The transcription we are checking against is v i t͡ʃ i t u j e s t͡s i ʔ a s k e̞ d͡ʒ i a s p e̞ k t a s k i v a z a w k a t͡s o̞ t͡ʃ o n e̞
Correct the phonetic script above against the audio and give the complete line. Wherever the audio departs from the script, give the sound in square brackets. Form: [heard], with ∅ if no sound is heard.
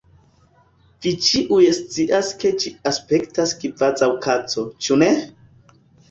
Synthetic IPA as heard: v i t͡ʃ i [ʔ] u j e s t͡s i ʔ a s k e̞ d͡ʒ i a s p e̞ k t a s k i v a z a w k a t͡s o̞ t͡ʃ [u] n e̞